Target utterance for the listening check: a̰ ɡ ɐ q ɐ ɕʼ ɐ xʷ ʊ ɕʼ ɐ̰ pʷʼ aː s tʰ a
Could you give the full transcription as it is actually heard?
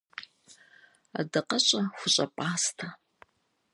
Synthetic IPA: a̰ d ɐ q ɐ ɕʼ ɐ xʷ ʊ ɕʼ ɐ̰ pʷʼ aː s tʰ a

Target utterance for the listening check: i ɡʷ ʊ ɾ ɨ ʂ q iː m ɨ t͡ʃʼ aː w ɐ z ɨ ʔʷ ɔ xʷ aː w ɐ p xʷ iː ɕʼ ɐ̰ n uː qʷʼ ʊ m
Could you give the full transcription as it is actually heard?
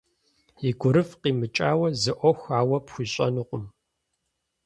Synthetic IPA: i ɡʷ ʊ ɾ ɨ f q iː m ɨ t͡ʃʼ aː w ɐ z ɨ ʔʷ ɔ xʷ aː w ɐ p xʷ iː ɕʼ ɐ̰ n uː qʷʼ ʊ m

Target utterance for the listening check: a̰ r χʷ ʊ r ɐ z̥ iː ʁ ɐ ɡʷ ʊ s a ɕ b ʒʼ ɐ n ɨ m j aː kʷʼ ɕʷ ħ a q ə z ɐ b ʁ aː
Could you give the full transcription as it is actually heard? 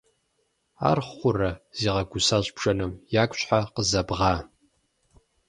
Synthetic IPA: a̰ r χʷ ʊ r ɐ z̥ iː ʁ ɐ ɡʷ ʊ s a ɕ b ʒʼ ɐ n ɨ m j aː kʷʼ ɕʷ ħ a q ə z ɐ b ʁ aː

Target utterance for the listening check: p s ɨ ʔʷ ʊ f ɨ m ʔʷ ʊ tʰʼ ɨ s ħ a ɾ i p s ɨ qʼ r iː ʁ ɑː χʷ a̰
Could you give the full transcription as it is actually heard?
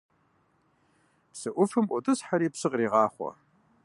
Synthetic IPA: p s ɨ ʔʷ ʊ f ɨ m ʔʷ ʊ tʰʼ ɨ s ħ a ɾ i p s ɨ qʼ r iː ʁ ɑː χʷ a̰

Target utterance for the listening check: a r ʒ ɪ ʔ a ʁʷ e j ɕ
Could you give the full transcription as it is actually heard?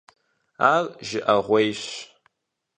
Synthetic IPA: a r ʒ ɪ ʔ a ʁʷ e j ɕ

